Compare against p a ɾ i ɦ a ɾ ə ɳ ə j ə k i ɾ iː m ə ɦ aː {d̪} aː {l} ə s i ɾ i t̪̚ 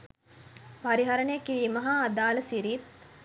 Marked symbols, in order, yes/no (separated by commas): yes, yes